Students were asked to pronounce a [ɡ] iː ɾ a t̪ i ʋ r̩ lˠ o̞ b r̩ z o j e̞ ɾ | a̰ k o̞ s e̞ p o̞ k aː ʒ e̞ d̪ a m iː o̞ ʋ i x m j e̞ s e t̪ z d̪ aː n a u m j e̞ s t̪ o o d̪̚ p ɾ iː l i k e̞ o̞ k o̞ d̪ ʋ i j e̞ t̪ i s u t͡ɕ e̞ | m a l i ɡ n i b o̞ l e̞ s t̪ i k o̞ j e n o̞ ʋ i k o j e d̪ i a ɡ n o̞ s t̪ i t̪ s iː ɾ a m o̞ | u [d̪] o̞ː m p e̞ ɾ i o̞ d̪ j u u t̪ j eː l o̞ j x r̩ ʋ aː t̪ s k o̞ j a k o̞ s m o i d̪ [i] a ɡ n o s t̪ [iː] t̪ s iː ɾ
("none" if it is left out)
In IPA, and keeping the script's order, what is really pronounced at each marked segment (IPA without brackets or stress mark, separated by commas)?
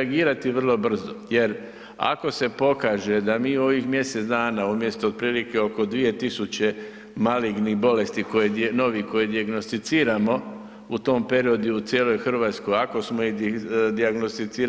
ɡ, t̪, i, i